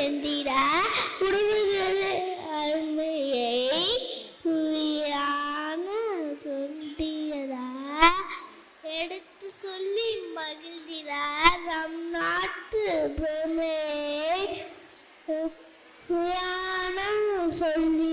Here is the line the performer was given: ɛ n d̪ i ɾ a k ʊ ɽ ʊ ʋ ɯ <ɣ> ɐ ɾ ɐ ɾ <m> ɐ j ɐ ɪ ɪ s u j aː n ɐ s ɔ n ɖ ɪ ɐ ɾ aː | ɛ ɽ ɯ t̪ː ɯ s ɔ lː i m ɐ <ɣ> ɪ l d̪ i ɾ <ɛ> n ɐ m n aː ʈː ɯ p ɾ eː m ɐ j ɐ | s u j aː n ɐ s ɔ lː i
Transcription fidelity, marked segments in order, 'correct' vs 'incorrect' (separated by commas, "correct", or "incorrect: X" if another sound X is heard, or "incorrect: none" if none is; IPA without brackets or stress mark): correct, correct, correct, incorrect: a